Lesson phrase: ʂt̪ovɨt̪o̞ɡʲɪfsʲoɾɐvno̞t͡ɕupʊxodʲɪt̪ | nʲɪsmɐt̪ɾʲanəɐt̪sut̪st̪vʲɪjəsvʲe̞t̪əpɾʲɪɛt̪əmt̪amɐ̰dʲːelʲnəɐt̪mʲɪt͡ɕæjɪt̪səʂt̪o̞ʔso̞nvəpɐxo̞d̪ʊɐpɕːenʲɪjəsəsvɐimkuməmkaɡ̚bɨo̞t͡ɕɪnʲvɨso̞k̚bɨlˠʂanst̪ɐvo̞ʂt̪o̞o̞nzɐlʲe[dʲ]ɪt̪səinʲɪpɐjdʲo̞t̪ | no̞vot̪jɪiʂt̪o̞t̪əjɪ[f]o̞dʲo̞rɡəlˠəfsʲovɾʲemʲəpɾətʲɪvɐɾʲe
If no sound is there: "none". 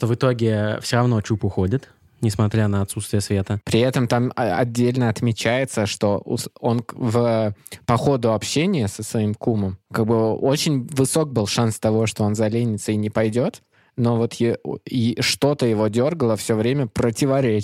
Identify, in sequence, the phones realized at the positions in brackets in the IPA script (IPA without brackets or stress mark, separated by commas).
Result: nʲ, v